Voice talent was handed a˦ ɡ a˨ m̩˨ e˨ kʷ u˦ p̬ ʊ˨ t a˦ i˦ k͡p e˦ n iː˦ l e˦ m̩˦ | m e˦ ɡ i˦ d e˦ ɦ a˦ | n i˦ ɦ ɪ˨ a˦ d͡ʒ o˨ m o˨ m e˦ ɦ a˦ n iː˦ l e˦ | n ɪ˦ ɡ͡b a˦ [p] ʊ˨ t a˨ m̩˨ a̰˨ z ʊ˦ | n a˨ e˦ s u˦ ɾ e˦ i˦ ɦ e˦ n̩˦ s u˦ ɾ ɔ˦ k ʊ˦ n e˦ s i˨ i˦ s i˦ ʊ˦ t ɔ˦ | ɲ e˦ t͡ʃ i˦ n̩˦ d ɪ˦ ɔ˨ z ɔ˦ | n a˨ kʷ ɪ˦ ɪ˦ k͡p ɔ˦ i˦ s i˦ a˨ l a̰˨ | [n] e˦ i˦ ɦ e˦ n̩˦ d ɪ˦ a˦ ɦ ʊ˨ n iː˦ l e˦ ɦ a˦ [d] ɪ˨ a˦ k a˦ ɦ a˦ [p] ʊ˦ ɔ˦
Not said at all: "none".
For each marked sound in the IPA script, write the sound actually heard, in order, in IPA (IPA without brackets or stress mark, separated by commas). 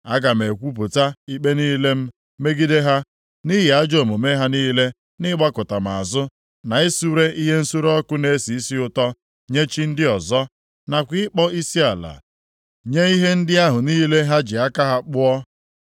k, ɲ, d͡ʒ, k͡p